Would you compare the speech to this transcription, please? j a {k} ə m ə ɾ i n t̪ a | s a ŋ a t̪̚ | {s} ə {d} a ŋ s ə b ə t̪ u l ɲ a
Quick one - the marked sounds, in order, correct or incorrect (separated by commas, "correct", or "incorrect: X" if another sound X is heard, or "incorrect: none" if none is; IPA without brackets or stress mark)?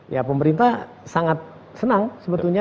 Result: incorrect: p, correct, incorrect: n